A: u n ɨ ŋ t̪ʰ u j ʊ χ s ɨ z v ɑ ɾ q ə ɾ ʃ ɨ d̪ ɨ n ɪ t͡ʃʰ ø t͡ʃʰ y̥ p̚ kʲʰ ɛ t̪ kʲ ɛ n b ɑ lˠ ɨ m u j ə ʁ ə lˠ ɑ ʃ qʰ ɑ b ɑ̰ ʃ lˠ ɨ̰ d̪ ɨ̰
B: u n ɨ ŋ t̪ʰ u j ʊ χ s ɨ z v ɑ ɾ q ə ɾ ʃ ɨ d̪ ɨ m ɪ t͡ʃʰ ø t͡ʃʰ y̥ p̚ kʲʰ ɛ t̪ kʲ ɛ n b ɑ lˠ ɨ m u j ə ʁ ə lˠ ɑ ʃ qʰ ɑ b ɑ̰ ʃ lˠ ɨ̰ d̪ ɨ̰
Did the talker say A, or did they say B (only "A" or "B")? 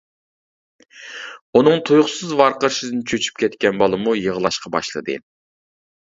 A